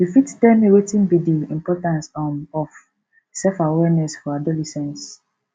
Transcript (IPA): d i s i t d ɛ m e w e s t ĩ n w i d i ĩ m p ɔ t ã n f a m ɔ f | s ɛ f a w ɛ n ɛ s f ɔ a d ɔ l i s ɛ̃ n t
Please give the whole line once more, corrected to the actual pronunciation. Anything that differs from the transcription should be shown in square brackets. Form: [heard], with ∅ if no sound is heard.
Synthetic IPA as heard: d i [f] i t d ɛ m e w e [∅] t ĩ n [b] i d i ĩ m p ɔ t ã n [s] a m ɔ f | s ɛ f a w ɛ n ɛ s f ɔ a d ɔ l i s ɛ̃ n [s]